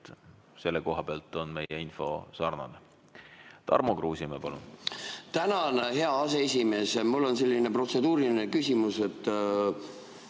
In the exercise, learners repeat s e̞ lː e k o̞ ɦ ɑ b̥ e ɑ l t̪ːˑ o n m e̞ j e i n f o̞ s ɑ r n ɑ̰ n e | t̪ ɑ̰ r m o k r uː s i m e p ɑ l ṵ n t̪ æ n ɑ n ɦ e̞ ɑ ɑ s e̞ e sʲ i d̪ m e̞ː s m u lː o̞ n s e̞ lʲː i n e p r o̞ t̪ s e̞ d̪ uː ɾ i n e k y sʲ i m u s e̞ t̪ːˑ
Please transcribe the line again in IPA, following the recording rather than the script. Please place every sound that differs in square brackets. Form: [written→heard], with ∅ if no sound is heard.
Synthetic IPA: s e̞ lː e k o̞ ɦ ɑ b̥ e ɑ l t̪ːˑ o n m e̞ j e i n f o̞ s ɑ r n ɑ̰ n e | t̪ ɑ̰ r m o k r uː s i m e p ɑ l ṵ n t̪ æ n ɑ n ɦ e̞ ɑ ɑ s e̞ e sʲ i [d̪→∅] m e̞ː s m u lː o̞ n s e̞ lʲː i n e p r o̞ t̪ s e̞ d̪ uː ɾ i n e k y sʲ i m u s e̞ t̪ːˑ